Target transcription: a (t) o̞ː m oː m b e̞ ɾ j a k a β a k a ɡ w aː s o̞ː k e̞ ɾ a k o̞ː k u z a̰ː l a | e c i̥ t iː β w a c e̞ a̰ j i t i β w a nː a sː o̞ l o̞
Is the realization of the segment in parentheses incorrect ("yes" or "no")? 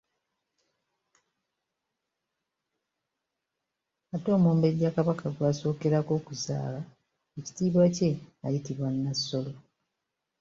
no